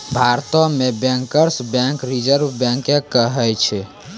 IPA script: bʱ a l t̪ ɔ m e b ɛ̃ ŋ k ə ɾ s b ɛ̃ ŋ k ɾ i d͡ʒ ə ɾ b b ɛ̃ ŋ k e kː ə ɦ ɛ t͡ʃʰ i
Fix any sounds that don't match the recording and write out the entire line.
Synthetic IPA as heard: bʱ a ɾ t̪ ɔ m e b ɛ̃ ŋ k ə ɾ s b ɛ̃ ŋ k ɾ i d͡ʒ ə ɾ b b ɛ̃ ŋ k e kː ə ɦ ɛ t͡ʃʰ ɛ